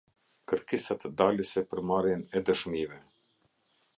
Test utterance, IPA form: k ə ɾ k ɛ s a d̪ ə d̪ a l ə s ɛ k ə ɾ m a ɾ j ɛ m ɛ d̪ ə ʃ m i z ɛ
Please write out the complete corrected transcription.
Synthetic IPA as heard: k ə ɾ k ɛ s a t̪ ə d̪ a l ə s ɛ p ə ɾ m a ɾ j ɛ n ɛ d̪ ə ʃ m i v ɛ